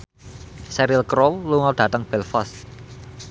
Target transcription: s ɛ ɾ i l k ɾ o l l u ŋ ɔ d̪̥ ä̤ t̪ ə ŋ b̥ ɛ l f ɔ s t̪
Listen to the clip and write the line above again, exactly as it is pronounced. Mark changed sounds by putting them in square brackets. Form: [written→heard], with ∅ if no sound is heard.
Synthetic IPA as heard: s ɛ ɾ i l k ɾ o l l u ŋ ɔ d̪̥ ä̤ t̪ ə ŋ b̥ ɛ l f ɔ s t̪